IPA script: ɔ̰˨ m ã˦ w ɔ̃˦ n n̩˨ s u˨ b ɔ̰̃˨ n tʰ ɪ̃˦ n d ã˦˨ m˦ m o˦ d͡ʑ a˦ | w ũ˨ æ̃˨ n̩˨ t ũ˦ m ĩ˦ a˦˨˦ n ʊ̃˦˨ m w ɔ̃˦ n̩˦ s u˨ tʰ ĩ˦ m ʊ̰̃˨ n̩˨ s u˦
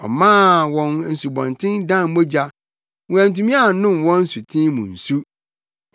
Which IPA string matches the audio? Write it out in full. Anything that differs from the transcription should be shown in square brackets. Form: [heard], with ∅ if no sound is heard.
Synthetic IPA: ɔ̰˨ m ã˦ w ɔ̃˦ n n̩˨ s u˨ b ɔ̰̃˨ n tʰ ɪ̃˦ n d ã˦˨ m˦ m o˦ d͡ʑ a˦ | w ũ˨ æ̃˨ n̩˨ t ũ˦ m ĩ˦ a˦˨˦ n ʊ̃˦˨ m w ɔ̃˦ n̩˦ s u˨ tʰ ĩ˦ m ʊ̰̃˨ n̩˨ s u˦